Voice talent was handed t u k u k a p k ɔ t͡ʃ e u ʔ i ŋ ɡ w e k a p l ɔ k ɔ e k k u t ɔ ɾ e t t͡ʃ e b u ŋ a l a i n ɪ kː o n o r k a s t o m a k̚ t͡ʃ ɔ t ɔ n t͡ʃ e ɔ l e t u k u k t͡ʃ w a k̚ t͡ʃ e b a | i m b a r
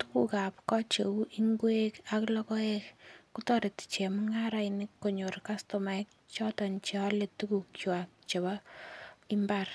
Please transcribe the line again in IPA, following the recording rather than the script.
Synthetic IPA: t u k u k a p k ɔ t͡ʃ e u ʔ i ŋ ɡ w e k a k l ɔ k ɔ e k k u t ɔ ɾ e t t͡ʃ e m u ŋ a ɾ a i n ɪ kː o ɲ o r k a s t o m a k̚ t͡ʃ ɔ t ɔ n t͡ʃ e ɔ l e t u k u k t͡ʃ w a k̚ t͡ʃ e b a | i m b a r